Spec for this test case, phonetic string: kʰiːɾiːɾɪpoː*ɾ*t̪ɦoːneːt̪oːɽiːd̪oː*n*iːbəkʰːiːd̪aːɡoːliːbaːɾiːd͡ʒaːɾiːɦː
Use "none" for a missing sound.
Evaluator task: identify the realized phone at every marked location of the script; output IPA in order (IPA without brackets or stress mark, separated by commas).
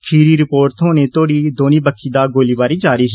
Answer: ɾ, n